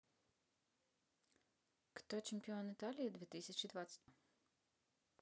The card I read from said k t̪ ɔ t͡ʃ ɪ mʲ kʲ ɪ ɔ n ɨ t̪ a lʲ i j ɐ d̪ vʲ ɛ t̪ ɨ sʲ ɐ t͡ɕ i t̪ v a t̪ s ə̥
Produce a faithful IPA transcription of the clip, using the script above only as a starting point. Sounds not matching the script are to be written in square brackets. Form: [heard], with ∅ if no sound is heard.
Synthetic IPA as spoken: k t̪ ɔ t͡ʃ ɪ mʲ [pʲ] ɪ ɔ n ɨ t̪ a lʲ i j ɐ d̪ vʲ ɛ t̪ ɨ sʲ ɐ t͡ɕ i [d̪] v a t̪ s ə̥